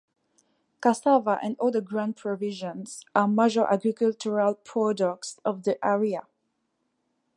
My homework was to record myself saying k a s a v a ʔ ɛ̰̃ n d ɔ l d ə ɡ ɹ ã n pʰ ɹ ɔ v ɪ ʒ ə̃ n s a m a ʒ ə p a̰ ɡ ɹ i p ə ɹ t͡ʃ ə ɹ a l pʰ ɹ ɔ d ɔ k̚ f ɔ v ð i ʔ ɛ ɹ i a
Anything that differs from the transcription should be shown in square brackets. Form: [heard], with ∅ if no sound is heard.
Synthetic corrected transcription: k a s a v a ʔ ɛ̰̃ n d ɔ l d ə ɡ ɹ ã n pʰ ɹ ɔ v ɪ ʒ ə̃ n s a m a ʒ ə [ʔ] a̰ ɡ ɹ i [k] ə [l] t͡ʃ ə ɹ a l pʰ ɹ ɔ d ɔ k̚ [s] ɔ v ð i ʔ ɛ ɹ i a